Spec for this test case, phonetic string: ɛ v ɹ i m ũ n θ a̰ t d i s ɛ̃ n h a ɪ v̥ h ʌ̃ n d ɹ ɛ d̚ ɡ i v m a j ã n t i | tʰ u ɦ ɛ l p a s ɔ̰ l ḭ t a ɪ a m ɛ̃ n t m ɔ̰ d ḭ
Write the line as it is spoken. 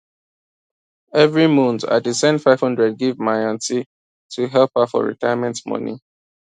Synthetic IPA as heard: ɛ v ɹ i m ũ n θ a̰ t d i s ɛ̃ n f a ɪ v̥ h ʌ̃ n d ɹ ɛ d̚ ɡ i v m a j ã n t i | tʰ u ɦ ɛ l p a f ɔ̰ ɹ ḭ t a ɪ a m ɛ̃ n t m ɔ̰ n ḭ